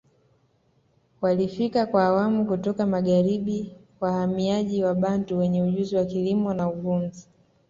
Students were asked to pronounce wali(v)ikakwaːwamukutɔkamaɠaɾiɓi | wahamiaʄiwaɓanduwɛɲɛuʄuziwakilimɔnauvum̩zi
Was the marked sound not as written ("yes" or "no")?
yes